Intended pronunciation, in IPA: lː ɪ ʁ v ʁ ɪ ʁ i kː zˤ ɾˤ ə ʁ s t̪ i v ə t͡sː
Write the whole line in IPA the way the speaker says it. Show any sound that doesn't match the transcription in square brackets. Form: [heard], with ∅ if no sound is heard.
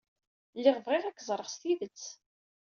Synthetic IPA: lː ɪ ʁ v ʁ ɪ ʁ [æ] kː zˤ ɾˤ ə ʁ s t̪ i [ð] ə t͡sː